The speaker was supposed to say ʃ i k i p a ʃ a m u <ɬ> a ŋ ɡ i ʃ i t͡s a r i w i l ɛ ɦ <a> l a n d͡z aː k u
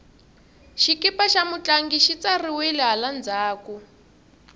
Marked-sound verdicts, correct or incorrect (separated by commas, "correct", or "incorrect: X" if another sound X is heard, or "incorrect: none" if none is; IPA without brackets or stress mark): incorrect: t͡ɬ, correct